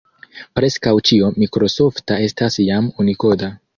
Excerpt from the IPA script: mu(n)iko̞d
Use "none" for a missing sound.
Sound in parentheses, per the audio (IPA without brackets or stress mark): n